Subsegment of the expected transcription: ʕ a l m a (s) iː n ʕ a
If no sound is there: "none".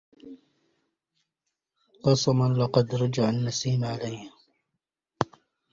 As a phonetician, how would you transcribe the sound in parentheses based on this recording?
s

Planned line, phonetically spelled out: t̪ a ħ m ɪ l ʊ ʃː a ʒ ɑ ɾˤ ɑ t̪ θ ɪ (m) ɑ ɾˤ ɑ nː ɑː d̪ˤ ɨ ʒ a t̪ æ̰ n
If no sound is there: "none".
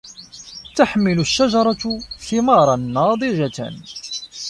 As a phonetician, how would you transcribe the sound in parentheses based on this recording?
m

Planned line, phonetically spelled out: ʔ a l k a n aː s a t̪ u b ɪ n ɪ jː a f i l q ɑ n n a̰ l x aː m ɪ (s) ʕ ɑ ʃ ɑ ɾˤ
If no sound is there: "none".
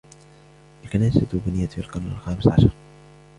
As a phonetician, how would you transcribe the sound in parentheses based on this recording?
s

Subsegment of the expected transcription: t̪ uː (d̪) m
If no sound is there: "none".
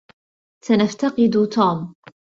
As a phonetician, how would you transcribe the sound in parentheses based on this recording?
none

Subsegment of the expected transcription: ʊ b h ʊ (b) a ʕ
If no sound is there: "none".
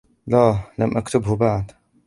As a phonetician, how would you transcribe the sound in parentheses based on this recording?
b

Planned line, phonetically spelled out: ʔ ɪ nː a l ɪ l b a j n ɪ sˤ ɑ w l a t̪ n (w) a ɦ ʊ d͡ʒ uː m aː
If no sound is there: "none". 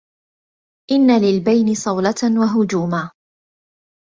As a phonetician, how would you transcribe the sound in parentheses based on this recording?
w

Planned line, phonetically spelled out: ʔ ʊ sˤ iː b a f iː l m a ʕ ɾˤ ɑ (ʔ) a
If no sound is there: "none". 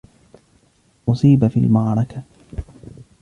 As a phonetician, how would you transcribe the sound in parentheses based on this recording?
k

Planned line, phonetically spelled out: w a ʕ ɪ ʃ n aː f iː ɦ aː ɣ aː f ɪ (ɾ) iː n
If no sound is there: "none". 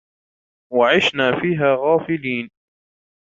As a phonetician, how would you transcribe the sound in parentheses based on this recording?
l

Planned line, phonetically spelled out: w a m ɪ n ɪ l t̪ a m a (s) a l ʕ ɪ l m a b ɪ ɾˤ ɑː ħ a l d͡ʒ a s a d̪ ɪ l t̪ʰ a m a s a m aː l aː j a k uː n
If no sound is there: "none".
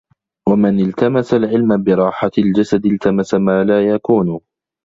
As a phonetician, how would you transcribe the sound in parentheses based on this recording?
s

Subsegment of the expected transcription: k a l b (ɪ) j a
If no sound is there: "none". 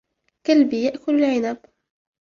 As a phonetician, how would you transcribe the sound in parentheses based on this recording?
i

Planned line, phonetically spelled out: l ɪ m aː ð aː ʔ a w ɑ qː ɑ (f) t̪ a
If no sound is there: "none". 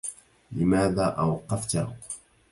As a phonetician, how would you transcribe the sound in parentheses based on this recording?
f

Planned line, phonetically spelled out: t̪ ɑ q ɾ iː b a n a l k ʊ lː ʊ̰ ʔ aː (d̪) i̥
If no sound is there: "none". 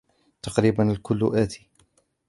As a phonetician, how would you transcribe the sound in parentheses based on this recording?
t̪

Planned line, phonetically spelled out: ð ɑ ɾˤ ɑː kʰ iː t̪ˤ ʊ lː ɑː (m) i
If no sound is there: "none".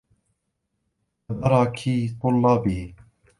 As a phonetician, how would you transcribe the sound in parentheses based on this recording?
b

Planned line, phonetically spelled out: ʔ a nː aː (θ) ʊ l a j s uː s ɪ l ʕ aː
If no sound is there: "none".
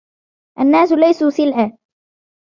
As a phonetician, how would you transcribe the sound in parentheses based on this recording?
s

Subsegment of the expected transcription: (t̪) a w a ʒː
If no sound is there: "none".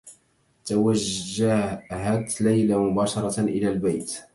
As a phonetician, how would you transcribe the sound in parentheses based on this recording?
t̪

